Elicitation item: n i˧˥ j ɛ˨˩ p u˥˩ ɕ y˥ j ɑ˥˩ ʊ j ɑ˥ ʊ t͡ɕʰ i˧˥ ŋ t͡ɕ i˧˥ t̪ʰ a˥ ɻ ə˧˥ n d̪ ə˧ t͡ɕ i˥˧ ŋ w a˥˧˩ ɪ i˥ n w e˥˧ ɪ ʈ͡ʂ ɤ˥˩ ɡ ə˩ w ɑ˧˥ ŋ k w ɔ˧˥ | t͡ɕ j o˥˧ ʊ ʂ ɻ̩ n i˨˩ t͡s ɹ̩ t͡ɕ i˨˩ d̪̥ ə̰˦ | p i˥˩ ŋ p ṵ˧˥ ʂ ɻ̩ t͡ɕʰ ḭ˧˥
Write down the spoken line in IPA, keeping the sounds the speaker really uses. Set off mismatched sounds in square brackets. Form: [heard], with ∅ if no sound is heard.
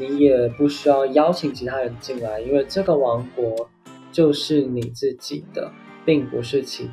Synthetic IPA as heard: n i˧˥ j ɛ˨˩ p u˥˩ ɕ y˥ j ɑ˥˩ ʊ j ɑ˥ ʊ t͡ɕʰ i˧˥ ŋ [t͡ɕʰ] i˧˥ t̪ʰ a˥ ɻ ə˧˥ n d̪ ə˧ t͡ɕ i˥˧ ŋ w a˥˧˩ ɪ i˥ n w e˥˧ ɪ ʈ͡ʂ ɤ˥˩ ɡ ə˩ w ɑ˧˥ ŋ k w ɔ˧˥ | t͡ɕ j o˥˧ ʊ ʂ ɻ̩ n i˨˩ t͡s ɹ̩ t͡ɕ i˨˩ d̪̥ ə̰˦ | p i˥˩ ŋ p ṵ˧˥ ʂ ɻ̩ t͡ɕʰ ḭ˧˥